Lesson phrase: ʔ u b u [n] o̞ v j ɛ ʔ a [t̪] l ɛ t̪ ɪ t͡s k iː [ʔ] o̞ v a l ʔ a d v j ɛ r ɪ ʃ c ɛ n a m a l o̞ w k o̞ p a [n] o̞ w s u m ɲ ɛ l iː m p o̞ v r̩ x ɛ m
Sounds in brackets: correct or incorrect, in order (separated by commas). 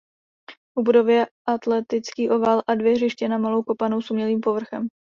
incorrect, correct, correct, correct